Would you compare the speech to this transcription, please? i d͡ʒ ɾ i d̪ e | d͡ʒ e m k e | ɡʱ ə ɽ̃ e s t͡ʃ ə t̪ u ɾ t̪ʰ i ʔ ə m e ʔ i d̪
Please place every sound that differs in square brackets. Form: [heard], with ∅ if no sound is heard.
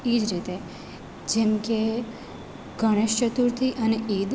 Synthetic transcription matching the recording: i d͡ʒ ɾ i [t̪] e | d͡ʒ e m k e | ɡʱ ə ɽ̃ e [ʃ] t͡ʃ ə t̪ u ɾ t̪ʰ i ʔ ə [n] e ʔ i d̪